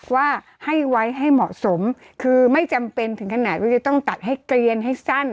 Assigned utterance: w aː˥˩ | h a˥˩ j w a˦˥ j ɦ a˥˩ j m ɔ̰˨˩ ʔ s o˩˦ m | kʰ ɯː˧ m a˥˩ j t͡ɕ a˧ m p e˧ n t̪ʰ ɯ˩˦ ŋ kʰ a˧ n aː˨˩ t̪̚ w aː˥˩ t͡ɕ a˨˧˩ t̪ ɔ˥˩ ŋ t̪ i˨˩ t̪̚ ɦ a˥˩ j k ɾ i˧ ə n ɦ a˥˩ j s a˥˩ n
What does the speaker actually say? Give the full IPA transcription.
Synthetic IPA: w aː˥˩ | h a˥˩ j w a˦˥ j ɦ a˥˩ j m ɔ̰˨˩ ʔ s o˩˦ m | kʰ ɯː˧ m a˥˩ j t͡ɕ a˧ m p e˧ n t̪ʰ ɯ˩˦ ŋ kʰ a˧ n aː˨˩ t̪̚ w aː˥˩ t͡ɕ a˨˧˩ t̪ ɔ˥˩ ŋ t̪ a˨˩ t̪̚ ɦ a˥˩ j k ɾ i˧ ə n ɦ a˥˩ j s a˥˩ n